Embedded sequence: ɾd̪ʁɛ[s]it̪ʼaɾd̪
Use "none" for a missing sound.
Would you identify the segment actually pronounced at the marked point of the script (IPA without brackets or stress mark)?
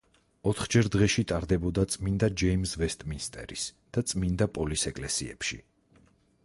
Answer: ʃ